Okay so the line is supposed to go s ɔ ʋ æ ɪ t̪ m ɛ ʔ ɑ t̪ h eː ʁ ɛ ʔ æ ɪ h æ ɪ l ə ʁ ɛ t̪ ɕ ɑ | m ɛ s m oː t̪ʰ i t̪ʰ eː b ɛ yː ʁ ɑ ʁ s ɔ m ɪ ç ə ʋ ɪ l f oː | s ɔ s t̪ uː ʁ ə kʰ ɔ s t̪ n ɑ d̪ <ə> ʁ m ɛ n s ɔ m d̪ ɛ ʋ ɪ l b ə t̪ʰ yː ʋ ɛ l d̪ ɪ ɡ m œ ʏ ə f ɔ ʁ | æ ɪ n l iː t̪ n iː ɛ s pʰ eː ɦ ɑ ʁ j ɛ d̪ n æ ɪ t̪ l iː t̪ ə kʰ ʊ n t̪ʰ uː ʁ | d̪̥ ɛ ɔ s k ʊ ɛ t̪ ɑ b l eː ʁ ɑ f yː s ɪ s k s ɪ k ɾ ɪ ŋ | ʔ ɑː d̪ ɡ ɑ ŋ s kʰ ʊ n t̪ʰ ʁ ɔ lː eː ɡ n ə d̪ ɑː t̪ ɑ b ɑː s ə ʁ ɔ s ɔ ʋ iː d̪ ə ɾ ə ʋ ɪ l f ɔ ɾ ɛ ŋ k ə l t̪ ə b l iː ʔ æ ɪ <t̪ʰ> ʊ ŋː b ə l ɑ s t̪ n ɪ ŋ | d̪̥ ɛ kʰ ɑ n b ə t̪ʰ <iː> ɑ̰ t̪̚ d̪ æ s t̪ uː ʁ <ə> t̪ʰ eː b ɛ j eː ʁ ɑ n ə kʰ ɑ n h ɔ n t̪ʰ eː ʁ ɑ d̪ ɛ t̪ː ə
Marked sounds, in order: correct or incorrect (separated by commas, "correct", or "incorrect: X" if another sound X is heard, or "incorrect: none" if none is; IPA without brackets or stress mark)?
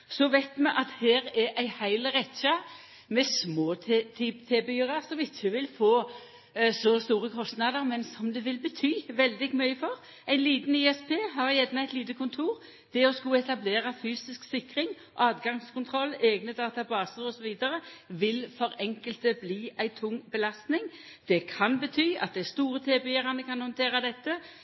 correct, correct, incorrect: yː, correct